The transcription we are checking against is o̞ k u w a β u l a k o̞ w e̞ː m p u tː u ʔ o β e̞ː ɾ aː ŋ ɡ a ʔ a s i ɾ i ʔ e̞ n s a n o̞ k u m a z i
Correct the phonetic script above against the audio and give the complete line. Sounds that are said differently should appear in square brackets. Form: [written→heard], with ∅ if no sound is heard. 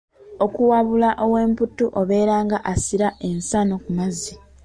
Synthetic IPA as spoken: o̞ k u w a β u l a [k→ʔ] o̞ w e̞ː m p u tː u ʔ o β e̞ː ɾ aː ŋ ɡ a ʔ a s i ɾ [i→a] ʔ e̞ n s a n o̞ k u m a z i